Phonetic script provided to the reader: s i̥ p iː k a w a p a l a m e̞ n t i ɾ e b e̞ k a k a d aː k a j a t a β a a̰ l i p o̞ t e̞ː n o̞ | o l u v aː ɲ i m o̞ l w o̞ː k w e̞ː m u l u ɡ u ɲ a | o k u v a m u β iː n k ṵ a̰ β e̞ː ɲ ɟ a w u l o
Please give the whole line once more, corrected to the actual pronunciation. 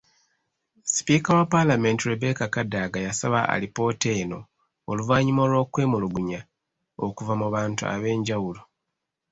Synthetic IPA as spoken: s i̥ p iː k a w a p a l a m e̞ n t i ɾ e b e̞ k a k a d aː ɡ a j a s a β a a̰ l i p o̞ t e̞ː n o̞ | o l u v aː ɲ i m o̞ l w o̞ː k w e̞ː m u l u ɡ u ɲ a | o k u v a m u β aː n t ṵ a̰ β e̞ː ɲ ɟ a w u l o